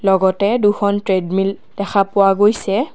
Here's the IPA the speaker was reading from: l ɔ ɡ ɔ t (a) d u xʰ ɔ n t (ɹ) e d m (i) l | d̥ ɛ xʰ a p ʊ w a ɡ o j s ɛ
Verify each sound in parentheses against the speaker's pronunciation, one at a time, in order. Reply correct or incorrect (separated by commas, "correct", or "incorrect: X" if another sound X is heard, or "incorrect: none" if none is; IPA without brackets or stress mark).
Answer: incorrect: ɛ, correct, correct